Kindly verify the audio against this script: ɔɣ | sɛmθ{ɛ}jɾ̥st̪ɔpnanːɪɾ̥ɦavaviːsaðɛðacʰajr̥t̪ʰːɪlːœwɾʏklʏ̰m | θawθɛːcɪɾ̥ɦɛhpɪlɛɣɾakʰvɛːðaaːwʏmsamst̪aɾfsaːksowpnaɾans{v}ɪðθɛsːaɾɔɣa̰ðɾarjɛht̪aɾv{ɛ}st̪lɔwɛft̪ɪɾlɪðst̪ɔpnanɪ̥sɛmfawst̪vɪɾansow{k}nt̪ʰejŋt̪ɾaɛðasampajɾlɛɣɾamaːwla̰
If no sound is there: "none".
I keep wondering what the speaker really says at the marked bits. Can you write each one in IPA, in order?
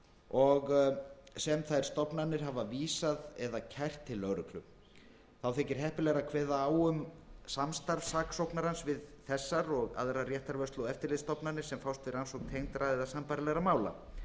a, v, œ, k

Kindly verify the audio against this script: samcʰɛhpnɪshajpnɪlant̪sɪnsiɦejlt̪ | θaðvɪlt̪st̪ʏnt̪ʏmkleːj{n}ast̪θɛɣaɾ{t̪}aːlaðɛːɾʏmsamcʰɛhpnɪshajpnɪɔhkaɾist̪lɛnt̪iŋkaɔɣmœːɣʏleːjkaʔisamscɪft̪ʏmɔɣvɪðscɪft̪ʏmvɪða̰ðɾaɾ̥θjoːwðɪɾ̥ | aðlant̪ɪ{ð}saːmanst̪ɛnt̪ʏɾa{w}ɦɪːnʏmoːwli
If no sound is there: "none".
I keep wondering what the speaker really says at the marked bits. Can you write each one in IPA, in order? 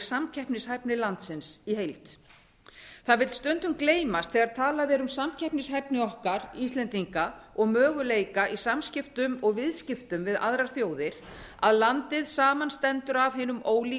m, t̪ʰ, ð, v

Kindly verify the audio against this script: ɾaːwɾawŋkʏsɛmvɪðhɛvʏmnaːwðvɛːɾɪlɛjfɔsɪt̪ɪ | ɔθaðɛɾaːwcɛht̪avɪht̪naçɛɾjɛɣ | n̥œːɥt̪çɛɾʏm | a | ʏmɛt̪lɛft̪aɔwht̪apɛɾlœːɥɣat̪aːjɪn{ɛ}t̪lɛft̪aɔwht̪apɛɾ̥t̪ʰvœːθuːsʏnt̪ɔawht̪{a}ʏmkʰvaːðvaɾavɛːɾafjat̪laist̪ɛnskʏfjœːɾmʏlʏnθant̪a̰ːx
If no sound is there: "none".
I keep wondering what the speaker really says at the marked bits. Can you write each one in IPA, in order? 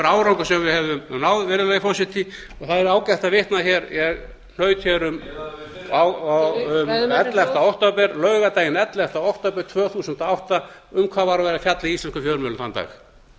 ɛ, a

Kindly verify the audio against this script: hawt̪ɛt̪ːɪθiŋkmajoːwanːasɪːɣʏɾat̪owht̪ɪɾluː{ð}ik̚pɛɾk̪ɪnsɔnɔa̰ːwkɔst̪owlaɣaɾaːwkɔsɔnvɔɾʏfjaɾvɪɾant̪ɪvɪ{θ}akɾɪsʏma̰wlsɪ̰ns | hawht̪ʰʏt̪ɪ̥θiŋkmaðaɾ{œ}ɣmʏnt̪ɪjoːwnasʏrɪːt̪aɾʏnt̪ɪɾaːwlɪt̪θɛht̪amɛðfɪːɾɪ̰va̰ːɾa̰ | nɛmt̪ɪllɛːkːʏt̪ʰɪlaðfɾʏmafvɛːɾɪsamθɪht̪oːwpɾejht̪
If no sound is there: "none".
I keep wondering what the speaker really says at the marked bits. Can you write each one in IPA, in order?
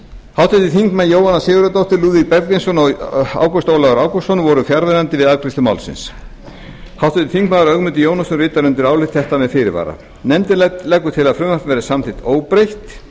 ð, ð, œ

